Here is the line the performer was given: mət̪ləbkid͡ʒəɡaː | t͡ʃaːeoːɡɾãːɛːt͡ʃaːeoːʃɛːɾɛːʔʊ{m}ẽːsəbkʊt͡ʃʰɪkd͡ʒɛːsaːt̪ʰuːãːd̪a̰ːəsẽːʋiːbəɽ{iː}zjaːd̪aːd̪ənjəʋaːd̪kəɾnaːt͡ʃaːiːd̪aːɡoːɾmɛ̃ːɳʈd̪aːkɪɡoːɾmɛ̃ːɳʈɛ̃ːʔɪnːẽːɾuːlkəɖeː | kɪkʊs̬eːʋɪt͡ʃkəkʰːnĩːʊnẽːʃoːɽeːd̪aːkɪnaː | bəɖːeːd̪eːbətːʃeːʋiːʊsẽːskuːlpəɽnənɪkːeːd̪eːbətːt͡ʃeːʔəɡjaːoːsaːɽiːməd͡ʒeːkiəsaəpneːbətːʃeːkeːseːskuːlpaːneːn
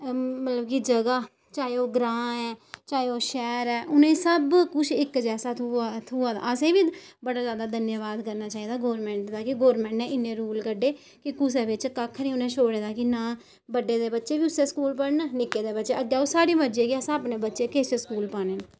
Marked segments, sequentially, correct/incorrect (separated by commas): incorrect, incorrect